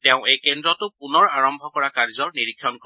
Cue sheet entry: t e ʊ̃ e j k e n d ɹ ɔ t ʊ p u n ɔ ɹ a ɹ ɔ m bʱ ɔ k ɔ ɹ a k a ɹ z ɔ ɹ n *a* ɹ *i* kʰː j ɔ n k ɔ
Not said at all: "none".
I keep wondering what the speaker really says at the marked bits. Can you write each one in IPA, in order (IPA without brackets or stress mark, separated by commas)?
i, i